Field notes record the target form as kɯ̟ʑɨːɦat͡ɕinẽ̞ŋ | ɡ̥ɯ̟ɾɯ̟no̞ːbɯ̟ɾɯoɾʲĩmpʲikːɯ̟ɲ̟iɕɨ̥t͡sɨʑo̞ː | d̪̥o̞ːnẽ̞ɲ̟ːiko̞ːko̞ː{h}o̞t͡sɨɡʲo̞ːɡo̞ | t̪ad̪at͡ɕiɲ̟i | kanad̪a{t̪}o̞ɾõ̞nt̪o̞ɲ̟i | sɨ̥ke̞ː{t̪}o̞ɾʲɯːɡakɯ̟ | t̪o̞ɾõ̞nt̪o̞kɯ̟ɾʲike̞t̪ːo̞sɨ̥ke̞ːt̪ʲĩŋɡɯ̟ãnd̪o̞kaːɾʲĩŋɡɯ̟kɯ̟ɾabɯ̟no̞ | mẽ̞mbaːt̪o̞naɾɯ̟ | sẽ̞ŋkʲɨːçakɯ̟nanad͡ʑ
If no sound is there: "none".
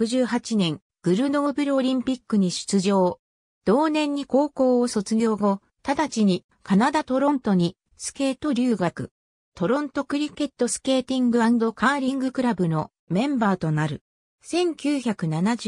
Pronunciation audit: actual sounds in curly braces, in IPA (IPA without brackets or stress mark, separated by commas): s, t̪, t̪